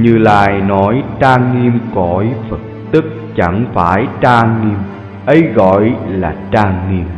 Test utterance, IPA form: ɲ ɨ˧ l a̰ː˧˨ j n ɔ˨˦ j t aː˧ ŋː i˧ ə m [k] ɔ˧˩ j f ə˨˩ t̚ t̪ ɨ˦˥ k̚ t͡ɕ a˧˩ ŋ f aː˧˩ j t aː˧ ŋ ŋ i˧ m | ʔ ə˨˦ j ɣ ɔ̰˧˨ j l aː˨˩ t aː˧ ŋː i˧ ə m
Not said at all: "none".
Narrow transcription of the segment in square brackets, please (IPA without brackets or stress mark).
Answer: k